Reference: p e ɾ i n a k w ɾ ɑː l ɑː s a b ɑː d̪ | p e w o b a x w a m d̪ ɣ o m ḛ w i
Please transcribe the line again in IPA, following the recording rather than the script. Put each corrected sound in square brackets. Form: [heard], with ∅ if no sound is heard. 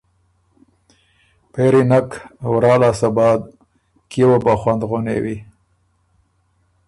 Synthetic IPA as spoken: p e ɾ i n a k w ɾ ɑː l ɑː s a b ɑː d̪ | [k] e w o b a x w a [n] d̪ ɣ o [n] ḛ w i

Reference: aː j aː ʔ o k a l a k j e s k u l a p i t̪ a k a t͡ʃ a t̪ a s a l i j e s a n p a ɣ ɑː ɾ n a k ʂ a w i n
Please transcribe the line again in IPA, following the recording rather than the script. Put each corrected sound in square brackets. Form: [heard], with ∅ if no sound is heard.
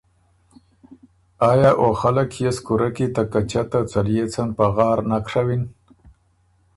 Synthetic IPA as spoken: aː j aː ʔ o [x] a l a k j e s k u [ɾ] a [k] i t̪ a k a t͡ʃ a t̪ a [t͡s] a l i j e [t͡s] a n p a ɣ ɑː ɾ n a k ʂ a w i n

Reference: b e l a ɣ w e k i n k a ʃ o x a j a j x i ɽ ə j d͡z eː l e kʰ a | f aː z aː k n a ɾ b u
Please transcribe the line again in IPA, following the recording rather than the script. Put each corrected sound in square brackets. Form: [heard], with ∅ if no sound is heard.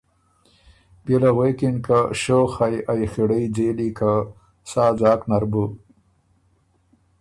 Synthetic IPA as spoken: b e l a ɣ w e k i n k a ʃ o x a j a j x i ɽ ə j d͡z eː l [i] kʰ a | [s] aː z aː k n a ɾ b u

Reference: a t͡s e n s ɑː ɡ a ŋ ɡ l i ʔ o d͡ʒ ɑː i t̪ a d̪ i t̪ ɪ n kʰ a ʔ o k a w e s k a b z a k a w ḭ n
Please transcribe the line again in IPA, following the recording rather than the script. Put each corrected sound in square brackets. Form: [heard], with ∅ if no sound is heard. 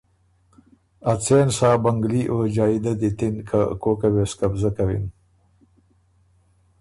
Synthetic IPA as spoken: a t͡s e n s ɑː [b] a ŋ ɡ l i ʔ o d͡ʒ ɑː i [d̪] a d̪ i t̪ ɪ n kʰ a [k] o k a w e s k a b z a k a w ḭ n

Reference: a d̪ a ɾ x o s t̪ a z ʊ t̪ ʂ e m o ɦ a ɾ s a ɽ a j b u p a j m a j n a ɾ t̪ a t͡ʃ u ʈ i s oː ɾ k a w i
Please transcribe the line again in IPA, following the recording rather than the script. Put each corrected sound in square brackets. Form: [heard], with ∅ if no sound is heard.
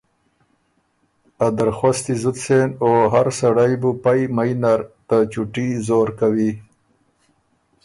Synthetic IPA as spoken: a d̪ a ɾ x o s t̪ [i] z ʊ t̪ [s] e [n] o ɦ a ɾ s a ɽ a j b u p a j m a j n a ɾ t̪ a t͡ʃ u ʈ i [z] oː ɾ k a w i

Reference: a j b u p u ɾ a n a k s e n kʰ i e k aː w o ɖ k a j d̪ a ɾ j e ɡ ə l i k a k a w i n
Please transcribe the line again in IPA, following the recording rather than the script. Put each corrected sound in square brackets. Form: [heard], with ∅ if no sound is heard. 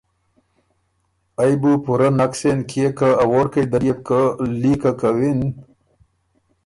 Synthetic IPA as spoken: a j b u p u ɾ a n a k s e n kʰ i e k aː w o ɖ k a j d̪ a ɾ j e [k] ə l i k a k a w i n

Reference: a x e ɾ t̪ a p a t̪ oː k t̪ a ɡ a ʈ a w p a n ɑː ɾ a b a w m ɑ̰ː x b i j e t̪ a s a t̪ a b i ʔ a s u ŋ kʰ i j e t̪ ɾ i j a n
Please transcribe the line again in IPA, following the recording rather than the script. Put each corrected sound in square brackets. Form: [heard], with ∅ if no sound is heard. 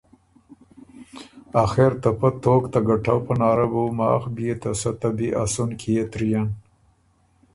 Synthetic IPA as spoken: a x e ɾ t̪ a p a t̪ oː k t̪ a ɡ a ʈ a w p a n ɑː ɾ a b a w m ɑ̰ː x b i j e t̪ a s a t̪ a b i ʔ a s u [n] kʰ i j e t̪ ɾ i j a n

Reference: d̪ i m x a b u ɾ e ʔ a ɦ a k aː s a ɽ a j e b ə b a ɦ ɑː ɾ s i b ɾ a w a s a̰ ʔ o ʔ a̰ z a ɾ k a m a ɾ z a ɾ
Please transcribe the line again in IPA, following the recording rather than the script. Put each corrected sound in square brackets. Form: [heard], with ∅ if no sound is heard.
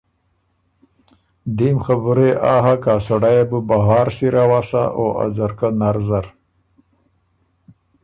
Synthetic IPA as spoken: d̪ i m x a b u ɾ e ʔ a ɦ a k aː s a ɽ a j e b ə b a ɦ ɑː ɾ s i [∅] ɾ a w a s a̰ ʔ o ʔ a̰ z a ɾ k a [n] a ɾ z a ɾ

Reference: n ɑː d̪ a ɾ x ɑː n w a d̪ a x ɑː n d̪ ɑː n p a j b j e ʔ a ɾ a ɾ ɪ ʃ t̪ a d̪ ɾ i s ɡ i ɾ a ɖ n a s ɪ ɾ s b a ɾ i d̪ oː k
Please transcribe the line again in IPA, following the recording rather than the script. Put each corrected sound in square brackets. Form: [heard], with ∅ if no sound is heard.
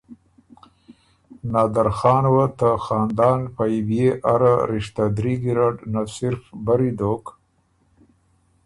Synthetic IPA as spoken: n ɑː d̪ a ɾ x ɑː n w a [t̪] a x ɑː n d̪ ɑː n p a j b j e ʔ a ɾ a ɾ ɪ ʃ t̪ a d̪ ɾ i [∅] ɡ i ɾ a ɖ n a s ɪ ɾ [f] b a ɾ i d̪ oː k

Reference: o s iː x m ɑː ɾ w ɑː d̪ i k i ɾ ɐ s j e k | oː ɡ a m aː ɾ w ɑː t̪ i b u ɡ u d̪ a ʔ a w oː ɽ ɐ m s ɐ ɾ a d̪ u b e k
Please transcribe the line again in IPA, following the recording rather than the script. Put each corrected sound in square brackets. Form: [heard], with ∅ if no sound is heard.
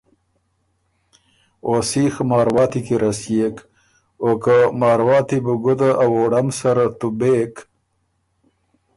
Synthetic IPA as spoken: o s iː x m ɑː ɾ w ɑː [t̪] i k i ɾ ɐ s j e k | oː [k] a m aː ɾ w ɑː t̪ i b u ɡ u d̪ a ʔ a w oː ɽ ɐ m s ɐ ɾ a [t̪] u b e k

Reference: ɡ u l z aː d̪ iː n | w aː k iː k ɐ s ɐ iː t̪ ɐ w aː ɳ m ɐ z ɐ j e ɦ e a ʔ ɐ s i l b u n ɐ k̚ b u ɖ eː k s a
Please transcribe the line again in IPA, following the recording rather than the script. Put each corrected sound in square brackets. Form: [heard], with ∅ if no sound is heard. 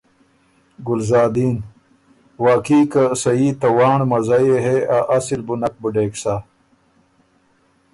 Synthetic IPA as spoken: ɡ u l z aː d̪ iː n | w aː k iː k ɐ s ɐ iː t̪ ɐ w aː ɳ m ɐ z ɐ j e ɦ e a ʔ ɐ s i l b u n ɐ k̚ b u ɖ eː k s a

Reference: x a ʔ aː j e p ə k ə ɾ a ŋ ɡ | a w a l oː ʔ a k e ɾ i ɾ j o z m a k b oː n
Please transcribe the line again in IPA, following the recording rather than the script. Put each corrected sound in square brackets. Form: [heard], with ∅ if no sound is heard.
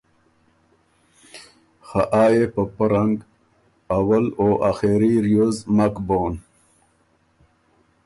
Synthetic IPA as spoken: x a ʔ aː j e p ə [p] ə ɾ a ŋ ɡ | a w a l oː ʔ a [x] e ɾ i ɾ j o z m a k b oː n

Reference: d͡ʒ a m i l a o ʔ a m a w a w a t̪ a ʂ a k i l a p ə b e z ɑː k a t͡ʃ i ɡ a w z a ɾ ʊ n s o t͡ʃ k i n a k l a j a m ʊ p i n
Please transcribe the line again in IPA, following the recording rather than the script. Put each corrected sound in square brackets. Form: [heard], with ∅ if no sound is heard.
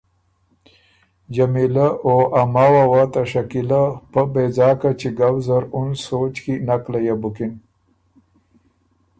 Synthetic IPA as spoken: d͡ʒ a m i l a o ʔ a m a w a w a t̪ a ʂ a k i l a p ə b e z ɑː k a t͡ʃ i ɡ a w z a ɾ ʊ n s o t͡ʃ k i n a k l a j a [b] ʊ [k] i n

